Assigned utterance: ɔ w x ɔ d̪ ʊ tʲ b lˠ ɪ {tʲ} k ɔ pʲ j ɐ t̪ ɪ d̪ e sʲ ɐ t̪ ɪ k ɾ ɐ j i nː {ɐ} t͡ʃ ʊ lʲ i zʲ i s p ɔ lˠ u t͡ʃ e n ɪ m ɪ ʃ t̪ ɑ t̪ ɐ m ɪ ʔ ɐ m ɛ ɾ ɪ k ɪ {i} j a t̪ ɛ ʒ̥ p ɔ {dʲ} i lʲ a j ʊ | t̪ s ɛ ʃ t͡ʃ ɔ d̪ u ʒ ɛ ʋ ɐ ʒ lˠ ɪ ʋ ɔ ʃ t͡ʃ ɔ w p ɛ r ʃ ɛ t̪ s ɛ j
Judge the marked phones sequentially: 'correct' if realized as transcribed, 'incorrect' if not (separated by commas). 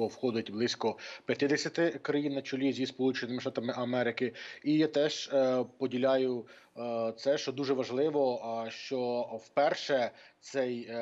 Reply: incorrect, correct, correct, correct